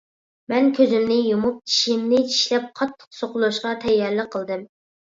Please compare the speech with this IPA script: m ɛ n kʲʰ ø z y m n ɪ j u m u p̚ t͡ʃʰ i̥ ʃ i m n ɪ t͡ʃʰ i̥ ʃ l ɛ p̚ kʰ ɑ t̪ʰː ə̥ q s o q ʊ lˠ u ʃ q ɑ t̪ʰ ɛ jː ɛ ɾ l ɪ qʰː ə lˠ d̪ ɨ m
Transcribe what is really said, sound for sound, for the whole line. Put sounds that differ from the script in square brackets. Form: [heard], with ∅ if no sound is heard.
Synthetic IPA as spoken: m ɛ n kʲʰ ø z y m n ɪ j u m u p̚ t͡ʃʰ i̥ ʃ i m n ɪ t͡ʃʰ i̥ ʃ l ɛ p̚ [qʰ] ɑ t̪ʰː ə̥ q s o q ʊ lˠ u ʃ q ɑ t̪ʰ ɛ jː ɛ ɾ l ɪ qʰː ə lˠ d̪ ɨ m